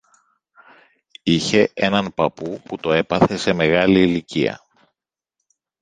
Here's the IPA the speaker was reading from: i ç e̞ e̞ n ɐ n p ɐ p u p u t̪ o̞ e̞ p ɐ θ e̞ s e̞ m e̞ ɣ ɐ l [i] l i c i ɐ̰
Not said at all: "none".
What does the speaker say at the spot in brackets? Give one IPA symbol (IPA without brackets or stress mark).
iː